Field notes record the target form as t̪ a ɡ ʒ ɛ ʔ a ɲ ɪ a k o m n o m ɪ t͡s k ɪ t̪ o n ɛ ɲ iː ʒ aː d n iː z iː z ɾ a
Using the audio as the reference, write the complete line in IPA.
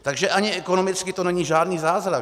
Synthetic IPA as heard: t̪ a ɡ ʒ ɛ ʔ a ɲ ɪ ɛ k o n o m ɪ t͡s k ɪ t̪ o n ɛ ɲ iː ʒ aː d n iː z aː z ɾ a